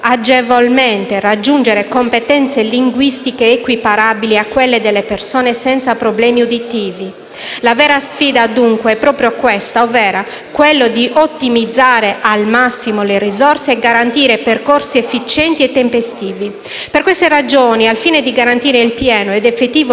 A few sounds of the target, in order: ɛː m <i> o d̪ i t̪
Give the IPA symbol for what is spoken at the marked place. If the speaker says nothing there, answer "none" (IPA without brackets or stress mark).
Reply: i